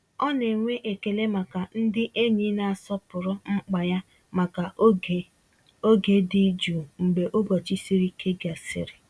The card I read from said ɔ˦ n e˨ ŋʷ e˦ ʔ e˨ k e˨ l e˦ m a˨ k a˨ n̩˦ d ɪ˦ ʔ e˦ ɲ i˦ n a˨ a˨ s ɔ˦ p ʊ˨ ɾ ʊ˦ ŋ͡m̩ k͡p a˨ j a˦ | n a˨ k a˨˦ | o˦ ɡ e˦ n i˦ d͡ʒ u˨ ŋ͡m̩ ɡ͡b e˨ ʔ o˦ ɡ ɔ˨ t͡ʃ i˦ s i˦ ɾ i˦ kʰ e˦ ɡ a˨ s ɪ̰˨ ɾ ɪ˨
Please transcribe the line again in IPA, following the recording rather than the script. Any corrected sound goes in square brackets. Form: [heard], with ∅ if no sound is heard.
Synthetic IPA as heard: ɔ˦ n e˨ ŋʷ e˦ ʔ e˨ k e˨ l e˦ m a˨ k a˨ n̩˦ d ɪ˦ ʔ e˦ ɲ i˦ n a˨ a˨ s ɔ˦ p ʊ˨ ɾ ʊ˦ ŋ͡m̩ k͡p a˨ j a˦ | [m] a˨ k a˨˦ | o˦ ɡ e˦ [d] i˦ d͡ʒ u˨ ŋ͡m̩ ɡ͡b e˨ ʔ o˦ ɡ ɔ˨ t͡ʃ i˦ s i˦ ɾ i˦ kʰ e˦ ɡ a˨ s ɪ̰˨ ɾ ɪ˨